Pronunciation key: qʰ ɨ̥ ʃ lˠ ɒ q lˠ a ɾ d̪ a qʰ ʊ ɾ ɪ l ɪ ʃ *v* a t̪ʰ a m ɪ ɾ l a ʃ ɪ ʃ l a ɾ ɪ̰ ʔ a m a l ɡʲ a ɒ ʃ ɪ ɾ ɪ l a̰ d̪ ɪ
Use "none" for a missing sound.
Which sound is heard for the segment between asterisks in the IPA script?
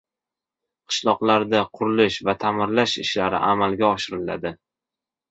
v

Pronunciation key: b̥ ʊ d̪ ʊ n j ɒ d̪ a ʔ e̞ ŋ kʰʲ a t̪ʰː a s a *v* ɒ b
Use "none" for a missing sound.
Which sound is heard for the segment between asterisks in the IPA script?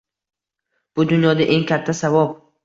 v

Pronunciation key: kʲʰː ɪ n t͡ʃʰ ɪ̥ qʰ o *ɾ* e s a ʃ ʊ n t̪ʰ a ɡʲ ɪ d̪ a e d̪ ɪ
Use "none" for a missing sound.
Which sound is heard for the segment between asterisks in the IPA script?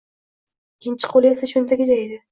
l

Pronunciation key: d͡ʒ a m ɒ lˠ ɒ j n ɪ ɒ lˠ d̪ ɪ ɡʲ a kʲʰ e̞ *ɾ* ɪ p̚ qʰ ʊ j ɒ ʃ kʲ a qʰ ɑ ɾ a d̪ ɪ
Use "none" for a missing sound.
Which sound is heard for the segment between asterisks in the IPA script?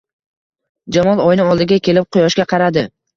l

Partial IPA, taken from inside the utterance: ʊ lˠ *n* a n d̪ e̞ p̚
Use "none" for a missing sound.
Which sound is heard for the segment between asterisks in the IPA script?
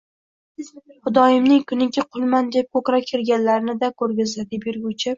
m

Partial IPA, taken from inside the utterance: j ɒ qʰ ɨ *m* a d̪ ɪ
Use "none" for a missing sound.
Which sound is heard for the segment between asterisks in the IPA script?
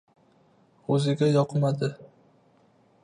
m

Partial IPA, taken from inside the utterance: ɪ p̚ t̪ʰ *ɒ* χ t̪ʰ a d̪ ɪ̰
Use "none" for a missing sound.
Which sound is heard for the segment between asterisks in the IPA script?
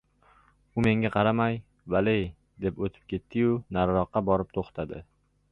o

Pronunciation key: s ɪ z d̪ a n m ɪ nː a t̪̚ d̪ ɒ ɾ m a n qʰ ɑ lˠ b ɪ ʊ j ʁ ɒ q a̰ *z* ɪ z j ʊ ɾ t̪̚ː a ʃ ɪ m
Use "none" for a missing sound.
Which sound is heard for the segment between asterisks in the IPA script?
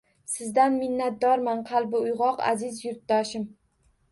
z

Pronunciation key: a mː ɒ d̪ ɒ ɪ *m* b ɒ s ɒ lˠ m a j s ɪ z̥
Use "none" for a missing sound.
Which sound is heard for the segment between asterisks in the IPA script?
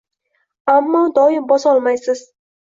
m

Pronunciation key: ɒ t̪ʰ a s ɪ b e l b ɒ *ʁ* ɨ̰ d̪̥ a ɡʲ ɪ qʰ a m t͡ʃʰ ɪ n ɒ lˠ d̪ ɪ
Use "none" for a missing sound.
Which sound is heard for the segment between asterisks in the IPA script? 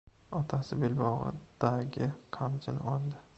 ʁ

